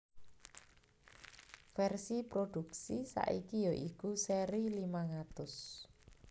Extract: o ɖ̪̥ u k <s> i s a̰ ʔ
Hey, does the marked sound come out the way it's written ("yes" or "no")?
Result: yes